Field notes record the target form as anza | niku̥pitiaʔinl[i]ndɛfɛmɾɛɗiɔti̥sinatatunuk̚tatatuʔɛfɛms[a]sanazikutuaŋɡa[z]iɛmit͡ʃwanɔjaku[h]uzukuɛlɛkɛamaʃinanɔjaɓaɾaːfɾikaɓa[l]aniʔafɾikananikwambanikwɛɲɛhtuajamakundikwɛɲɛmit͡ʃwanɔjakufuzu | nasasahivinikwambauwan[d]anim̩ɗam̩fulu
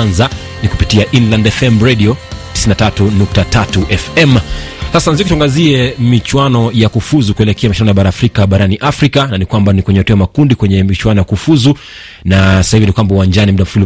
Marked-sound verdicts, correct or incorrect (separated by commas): incorrect, correct, correct, incorrect, incorrect, incorrect